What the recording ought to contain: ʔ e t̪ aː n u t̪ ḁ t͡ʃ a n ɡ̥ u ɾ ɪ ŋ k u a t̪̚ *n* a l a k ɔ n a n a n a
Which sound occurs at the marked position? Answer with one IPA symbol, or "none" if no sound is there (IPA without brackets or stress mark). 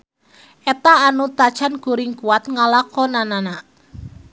ŋ